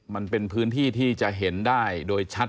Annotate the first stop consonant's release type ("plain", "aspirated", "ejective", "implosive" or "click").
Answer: plain